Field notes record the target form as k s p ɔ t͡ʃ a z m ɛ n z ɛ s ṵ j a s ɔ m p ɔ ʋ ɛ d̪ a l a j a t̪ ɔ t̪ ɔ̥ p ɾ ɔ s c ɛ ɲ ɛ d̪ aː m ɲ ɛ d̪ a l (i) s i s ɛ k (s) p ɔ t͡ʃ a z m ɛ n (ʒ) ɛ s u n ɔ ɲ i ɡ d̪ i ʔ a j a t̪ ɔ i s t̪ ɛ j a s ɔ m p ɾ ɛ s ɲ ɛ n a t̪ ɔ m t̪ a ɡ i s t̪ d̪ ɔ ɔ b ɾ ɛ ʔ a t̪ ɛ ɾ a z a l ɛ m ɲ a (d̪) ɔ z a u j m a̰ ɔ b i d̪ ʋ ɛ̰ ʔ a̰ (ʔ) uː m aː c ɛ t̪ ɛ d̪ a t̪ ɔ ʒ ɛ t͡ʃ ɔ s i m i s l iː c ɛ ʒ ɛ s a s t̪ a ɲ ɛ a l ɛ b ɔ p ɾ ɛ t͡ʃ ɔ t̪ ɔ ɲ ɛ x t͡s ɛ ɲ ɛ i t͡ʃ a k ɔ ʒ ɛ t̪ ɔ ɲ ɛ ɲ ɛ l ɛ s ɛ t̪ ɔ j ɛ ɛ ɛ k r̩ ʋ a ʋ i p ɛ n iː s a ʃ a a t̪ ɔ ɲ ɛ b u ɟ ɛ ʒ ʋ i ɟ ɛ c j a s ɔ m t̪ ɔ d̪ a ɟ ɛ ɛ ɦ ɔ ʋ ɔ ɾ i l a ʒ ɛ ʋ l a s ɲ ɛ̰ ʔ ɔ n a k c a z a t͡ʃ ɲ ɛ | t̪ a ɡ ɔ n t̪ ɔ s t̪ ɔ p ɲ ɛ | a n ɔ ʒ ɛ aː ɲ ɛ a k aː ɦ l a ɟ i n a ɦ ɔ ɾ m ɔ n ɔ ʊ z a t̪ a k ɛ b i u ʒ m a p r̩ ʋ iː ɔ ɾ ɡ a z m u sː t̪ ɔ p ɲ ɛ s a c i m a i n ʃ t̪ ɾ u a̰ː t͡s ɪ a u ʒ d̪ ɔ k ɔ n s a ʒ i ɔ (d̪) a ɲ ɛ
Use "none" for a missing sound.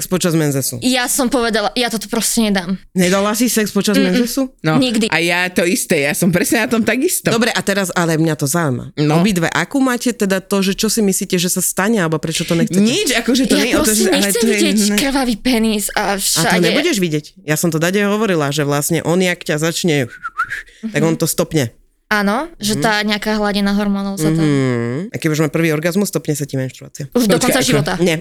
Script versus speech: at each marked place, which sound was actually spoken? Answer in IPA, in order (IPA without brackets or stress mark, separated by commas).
a, s, z, t̪, k, t̪